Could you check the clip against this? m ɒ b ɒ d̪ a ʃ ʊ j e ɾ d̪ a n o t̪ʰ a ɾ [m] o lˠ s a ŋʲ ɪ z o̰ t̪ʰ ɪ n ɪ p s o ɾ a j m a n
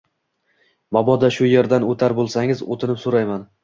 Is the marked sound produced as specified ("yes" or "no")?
no